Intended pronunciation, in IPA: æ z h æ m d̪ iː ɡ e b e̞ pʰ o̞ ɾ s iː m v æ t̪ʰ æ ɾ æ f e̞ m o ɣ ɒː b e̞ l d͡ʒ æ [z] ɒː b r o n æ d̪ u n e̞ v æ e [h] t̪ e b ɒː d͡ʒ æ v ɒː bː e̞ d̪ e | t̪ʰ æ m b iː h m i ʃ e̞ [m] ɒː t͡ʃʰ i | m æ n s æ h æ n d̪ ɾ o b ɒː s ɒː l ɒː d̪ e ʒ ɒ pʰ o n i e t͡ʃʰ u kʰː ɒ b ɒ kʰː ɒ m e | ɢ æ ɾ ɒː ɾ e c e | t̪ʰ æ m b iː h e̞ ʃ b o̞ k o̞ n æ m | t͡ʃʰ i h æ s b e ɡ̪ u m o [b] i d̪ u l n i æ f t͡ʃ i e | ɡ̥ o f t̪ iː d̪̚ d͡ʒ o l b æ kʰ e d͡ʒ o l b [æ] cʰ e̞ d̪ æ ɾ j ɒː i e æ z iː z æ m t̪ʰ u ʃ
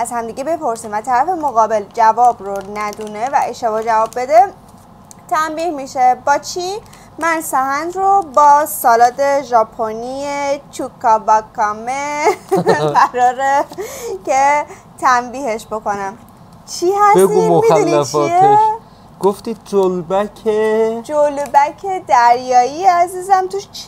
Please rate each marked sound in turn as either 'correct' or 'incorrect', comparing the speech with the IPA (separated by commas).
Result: incorrect, incorrect, incorrect, incorrect, correct